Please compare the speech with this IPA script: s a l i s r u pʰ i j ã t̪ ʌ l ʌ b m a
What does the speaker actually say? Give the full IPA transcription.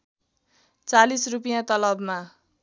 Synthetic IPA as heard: t͡s a l i s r u p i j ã t̪ ʌ l ʌ b m a